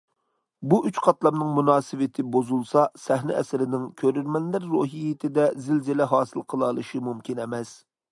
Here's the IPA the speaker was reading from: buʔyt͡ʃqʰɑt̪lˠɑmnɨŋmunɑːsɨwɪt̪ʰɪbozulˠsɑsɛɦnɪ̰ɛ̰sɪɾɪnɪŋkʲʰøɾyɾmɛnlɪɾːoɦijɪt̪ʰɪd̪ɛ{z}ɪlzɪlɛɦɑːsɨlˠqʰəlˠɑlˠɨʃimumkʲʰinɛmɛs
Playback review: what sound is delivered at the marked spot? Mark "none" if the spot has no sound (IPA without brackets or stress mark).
z